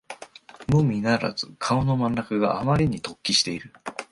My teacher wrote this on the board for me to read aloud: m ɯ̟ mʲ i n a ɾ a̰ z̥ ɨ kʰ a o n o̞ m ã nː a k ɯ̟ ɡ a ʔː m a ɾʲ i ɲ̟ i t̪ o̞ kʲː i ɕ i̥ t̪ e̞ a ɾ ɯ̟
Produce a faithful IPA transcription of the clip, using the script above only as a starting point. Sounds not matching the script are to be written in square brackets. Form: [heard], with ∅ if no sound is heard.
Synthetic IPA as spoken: m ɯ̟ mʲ i n a ɾ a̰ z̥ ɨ kʰ a o n o̞ m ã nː a k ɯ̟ ɡ a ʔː m a ɾʲ i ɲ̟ i t̪ o̞ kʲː i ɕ i̥ t̪ e̞ [i] ɾ ɯ̟